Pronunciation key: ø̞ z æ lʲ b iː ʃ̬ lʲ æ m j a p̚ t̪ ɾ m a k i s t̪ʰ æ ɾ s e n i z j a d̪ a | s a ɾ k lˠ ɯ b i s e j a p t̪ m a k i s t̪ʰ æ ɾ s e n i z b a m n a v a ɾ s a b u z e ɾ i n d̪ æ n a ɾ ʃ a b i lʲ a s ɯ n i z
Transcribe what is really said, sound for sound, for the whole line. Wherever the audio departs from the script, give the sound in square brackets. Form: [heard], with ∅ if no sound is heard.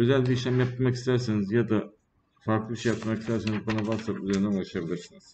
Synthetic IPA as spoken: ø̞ z æ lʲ b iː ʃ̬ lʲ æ m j a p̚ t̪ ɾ m a k i s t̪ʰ æ ɾ s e n i z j a d̪ a | [f] a ɾ k lˠ ɯ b i [ʃ] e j a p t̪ m a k i s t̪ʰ æ ɾ s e n i z b a [∅] n a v a ɾ s a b u z e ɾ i n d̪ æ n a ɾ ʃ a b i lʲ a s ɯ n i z